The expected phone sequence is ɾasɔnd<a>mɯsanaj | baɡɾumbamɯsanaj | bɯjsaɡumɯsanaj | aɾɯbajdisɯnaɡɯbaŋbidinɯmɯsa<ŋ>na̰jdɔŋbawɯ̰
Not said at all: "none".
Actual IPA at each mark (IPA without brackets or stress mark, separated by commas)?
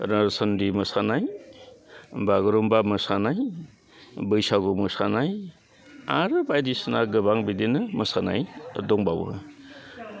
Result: i, none